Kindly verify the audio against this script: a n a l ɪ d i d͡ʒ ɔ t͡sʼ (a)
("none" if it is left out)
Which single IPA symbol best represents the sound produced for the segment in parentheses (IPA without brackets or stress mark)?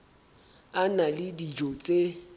e